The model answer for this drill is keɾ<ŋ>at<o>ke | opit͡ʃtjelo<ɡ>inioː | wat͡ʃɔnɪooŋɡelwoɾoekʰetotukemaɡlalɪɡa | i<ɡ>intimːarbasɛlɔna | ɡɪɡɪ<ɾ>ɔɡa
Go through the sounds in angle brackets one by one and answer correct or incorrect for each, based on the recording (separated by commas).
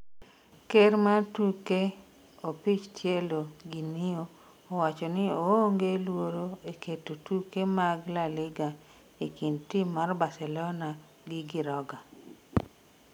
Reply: incorrect, incorrect, correct, incorrect, correct